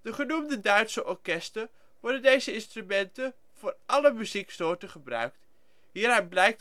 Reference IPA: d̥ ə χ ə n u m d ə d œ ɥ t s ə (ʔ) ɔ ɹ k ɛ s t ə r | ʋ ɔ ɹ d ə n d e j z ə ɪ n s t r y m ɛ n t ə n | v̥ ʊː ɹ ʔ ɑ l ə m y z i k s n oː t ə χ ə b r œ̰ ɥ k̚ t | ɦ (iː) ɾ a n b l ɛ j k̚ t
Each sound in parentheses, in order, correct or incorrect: correct, correct

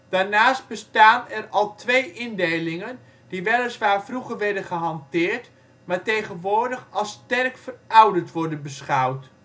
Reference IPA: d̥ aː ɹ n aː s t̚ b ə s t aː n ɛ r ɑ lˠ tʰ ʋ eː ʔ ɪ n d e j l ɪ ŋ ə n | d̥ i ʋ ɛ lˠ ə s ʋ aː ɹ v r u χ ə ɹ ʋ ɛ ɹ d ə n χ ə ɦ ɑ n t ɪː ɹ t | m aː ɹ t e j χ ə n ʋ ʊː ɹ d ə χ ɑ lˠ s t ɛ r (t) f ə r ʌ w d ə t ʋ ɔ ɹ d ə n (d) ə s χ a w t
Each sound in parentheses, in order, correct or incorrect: incorrect: k, incorrect: b

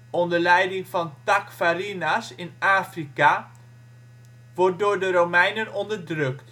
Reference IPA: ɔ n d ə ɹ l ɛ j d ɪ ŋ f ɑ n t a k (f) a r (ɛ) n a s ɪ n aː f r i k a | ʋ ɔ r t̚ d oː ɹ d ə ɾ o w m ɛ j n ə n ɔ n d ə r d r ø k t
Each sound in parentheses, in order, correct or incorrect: correct, incorrect: i

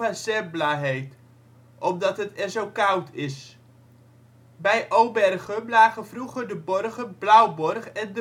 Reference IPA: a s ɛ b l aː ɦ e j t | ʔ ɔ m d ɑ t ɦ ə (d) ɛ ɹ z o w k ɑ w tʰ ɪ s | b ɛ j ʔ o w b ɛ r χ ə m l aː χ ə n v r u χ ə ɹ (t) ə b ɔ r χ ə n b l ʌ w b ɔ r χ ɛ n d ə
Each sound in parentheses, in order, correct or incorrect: incorrect: t, incorrect: d

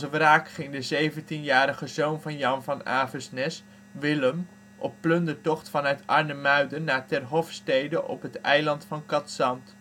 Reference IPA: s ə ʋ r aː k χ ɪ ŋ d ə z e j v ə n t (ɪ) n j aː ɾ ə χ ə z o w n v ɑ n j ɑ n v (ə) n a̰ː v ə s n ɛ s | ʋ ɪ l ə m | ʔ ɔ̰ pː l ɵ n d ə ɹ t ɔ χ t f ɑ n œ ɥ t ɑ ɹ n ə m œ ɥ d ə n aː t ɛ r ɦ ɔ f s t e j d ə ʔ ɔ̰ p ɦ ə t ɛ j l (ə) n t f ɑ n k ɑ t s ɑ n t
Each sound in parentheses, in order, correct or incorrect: incorrect: i, incorrect: ɑ, incorrect: ɑ

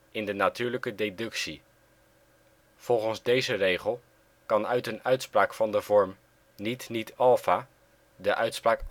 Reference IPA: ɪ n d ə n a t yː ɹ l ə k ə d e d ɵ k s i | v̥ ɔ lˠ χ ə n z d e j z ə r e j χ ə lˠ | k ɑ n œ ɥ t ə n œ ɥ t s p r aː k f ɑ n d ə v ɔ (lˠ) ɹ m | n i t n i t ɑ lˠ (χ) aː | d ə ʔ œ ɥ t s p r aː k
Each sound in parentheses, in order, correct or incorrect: incorrect: none, incorrect: f

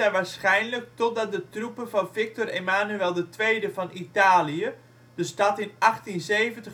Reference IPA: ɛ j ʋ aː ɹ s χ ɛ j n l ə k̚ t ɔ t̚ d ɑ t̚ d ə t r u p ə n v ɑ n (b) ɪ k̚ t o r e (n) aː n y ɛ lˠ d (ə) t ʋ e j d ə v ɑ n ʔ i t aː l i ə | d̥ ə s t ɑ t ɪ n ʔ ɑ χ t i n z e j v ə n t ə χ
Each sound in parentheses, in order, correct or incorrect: incorrect: v, incorrect: m, correct

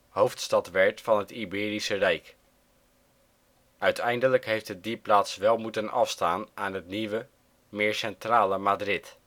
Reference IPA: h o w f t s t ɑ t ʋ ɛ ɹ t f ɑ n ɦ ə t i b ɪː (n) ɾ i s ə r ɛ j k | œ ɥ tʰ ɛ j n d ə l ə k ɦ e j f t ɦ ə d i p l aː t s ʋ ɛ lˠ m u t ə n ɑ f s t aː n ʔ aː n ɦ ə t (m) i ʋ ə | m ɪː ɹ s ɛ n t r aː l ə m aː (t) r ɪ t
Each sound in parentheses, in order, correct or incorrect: incorrect: none, incorrect: n, incorrect: d

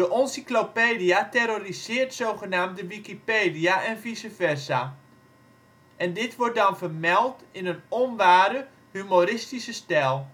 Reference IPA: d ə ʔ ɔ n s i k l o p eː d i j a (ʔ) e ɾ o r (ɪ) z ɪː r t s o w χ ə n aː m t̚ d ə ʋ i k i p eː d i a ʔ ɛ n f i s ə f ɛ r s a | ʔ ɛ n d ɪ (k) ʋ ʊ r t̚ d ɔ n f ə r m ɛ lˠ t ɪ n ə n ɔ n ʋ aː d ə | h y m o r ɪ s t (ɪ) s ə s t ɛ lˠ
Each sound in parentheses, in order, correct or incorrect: incorrect: t, incorrect: i, incorrect: t, incorrect: i

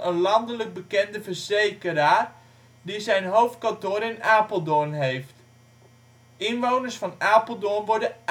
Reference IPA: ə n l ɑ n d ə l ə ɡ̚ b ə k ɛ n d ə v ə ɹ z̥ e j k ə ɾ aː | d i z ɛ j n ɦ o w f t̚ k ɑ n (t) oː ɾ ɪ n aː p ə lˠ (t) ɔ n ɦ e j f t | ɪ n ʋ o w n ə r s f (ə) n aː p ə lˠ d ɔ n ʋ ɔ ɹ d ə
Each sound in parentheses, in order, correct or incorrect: correct, incorrect: d, incorrect: ɑ

